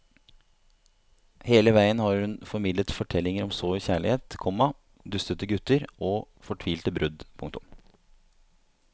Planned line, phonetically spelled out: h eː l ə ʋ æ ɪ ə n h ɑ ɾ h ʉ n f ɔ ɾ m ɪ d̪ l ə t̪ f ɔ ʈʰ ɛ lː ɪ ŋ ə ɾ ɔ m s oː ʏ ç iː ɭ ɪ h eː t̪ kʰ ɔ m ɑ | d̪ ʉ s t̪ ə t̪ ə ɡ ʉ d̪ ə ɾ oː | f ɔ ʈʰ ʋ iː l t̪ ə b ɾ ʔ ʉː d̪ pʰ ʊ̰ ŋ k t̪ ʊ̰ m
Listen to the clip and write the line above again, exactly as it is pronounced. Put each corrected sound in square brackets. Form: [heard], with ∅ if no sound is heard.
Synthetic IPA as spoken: h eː l ə ʋ æ ɪ ə n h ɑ ɾ h ʉ n f ɔ ɾ m ɪ d̪ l ə t̪ f ɔ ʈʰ ɛ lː ɪ ŋ ə ɾ ɔ m s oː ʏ ç [æː] ɭ ɪ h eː t̪ kʰ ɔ m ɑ | d̪ ʉ s t̪ ə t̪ ə ɡ ʉ [t̪] ə ɾ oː | f ɔ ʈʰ ʋ iː l t̪ ə b ɾ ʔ [ʉ] d̪ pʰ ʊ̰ ŋ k t̪ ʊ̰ m

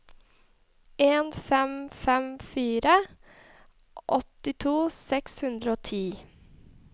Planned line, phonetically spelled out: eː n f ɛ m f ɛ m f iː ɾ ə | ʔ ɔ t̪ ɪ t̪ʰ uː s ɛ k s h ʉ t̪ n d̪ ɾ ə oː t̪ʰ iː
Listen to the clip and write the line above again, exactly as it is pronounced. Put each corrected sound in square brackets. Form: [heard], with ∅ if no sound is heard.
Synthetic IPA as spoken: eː n f ɛ m f ɛ m f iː ɾ ə | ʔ ɔ t̪ ɪ t̪ʰ uː s ɛ k s h ʉ [∅] n d̪ ɾ ə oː t̪ʰ iː

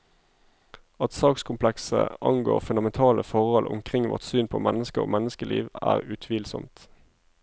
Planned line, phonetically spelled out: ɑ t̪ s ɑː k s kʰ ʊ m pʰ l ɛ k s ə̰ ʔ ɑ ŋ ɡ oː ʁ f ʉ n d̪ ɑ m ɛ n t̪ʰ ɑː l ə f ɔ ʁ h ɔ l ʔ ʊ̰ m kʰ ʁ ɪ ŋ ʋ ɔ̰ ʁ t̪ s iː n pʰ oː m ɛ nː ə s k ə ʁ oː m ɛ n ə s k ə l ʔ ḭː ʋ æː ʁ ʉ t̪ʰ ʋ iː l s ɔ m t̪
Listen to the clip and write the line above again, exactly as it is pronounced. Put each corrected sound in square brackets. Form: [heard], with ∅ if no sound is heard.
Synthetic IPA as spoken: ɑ t̪ s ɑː k s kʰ ʊ m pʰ l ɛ k s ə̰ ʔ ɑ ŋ ɡ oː ʁ f ʉ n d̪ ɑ m ɛ n t̪ʰ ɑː l ə f ɔ ʁ h ɔ l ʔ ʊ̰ m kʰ ʁ ɪ ŋ ʋ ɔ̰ ʁ t̪ s [yː] n pʰ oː m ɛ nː ə s k ə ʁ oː m ɛ n ə s k ə l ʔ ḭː ʋ æː ʁ ʉ t̪ʰ ʋ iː l s ɔ m t̪

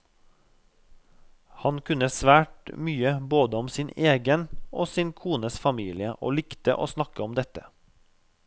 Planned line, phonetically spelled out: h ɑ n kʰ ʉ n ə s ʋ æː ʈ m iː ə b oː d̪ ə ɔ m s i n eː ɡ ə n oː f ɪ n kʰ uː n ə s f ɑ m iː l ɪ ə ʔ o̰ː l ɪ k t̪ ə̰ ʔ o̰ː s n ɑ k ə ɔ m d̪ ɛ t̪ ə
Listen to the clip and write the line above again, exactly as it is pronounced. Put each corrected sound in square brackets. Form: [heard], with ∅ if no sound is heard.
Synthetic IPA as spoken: h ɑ n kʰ ʉ n ə s ʋ æː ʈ m [yː] ə b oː d̪ ə ɔ m s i n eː ɡ ə n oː [s] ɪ n kʰ uː n ə s f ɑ m iː l ɪ ə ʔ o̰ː l ɪ k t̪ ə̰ ʔ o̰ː s n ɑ k ə ɔ m d̪ ɛ t̪ ə

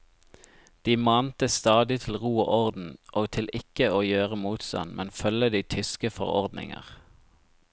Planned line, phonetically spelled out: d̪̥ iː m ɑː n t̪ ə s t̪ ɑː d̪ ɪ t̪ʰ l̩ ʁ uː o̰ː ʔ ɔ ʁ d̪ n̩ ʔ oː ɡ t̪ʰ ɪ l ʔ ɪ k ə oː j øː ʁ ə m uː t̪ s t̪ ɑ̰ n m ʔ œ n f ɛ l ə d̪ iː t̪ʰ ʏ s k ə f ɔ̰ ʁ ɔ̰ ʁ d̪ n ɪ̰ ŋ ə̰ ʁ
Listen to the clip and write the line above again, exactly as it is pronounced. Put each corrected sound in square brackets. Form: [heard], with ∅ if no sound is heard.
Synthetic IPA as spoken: d̪̥ iː m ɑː n t̪ ə s t̪ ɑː d̪ ɪ t̪ʰ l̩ ʁ uː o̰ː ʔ ɔ ʁ d̪ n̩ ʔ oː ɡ t̪ʰ ɪ l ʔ ɪ k ə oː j øː ʁ ə m uː t̪ s t̪ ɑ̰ n m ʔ [ɛ] n f [œ] l ə d̪ iː t̪ʰ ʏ s k ə f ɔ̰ ʁ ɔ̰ ʁ d̪ n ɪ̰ ŋ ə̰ ʁ

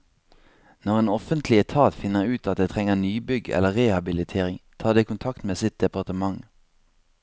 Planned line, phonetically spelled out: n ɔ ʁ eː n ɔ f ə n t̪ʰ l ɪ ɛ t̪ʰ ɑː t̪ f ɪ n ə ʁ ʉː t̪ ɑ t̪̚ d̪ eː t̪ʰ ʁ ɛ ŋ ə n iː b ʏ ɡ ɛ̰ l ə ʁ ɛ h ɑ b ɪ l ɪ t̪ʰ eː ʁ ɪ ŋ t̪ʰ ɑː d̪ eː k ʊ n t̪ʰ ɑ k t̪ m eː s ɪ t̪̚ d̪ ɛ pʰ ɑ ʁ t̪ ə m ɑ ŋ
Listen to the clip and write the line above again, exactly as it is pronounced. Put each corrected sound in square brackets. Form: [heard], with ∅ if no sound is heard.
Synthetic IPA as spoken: n ɔ ʁ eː n ɔ f ə n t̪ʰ l ɪ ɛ t̪ʰ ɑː t̪ f ɪ n ə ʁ ʉː t̪ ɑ t̪̚ d̪ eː t̪ʰ ʁ ɛ ŋ ə n [yː] b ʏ ɡ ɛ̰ l ə ʁ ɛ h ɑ b ɪ l ɪ t̪ʰ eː ʁ ɪ ŋ t̪ʰ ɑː d̪ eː k ʊ n t̪ʰ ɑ k t̪ m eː s ɪ t̪̚ d̪ ɛ [p] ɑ ʁ t̪ ə m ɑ ŋ

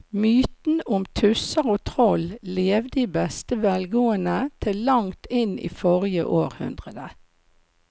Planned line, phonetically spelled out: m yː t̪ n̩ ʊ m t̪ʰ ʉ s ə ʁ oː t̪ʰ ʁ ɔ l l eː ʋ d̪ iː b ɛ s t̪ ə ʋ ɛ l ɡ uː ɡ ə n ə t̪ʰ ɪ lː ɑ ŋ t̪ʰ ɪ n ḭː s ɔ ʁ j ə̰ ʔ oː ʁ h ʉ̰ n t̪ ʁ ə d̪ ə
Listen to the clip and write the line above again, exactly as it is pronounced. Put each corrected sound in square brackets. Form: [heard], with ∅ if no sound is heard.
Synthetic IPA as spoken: m yː t̪ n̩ ʊ m t̪ʰ ʉ s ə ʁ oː t̪ʰ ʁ ɔ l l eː ʋ d̪ iː b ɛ s t̪ ə ʋ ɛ l ɡ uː [∅] ə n ə t̪ʰ ɪ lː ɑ ŋ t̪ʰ ɪ n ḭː [f] ɔ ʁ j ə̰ ʔ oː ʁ h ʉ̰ n [d̪] ʁ ə d̪ ə

